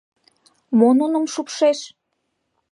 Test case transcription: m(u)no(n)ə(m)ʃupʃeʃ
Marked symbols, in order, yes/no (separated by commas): no, yes, yes